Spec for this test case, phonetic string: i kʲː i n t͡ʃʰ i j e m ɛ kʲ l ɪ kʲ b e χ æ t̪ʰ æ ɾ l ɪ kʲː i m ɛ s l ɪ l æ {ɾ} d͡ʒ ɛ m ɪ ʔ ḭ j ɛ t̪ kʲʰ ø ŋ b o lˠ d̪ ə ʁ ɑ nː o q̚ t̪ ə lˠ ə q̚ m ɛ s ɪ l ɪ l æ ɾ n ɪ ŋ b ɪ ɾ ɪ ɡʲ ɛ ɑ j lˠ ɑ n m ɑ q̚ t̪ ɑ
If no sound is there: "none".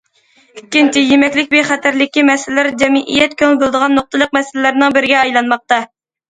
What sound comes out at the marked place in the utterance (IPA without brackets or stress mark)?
ɾ